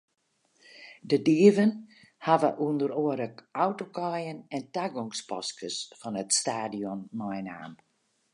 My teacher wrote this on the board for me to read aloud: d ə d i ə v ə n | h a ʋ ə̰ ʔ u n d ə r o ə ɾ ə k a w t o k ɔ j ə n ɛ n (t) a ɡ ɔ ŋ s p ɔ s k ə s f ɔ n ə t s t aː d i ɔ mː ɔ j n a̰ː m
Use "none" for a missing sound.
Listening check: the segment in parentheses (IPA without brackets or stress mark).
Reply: t